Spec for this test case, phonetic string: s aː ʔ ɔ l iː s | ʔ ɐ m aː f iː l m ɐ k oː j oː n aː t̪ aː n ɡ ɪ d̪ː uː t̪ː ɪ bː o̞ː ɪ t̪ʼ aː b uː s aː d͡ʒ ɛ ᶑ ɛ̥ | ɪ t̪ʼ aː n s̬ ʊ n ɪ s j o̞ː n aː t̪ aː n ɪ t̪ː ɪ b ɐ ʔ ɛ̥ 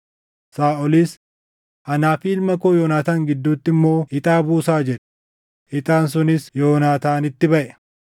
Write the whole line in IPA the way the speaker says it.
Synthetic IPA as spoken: s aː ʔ ɔ l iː s | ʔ ɐ n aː f iː l m ɐ k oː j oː n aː t̪ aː ŋ ɡ ɪ d̪ː uː t̪ː ɪ mː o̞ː ɪ t̪ʼ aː b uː s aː d͡ʒ ɛ ᶑ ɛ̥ | ɪ t̪ʼ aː n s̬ ʊ n ɪ s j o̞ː n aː t̪ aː n ɪ t̪ː ɪ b ɐ ʔ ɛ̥